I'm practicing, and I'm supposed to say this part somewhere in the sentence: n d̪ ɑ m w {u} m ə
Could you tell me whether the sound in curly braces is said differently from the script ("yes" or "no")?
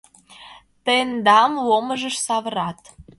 yes